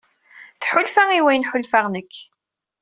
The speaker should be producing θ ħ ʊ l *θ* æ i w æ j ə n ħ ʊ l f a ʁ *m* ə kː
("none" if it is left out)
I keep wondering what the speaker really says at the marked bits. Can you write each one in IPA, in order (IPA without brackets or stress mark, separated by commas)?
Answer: f, n